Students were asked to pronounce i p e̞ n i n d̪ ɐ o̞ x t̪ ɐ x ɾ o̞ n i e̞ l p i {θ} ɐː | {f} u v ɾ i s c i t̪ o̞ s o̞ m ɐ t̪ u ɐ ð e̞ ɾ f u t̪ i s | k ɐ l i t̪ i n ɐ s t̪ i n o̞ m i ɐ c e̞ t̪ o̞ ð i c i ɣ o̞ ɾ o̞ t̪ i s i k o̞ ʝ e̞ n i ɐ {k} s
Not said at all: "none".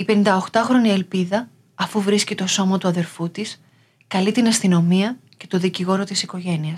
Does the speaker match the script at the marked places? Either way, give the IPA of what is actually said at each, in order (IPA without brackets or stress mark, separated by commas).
ð, f, none